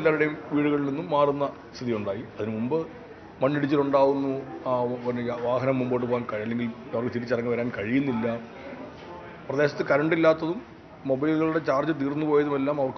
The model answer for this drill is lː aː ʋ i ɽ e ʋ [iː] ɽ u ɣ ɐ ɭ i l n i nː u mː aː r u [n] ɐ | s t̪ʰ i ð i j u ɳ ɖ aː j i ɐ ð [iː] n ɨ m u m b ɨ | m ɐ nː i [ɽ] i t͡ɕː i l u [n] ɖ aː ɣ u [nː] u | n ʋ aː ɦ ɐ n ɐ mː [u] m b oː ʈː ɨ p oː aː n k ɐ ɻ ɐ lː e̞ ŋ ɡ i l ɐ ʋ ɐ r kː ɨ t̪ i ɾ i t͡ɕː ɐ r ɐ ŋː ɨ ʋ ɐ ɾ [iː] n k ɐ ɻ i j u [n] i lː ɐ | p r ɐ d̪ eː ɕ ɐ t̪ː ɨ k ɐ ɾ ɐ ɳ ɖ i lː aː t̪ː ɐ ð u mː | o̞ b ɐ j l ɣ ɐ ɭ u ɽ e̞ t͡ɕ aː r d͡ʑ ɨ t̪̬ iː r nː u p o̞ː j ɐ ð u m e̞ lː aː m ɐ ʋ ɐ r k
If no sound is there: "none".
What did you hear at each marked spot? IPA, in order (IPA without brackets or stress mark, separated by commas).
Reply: iː, nː, i, ɽ, ɳ, nː, u, aː, nː